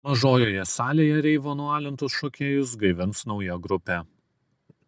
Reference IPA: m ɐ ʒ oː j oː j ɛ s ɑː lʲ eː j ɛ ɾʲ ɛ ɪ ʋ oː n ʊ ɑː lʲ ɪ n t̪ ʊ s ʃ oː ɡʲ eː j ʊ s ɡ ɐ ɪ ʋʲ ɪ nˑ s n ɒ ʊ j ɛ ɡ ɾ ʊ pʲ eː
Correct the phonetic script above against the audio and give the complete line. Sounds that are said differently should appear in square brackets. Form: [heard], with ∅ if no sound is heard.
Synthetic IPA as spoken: m ɐ ʒ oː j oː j ɛ s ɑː lʲ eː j ɛ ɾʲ ɛ ɪ ʋ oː n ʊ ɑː lʲ ɪ n t̪ ʊ s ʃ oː [kʲ] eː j ʊ s ɡ ɐ ɪ ʋʲ ɪ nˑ s n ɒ ʊ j ɛ ɡ ɾ ʊ pʲ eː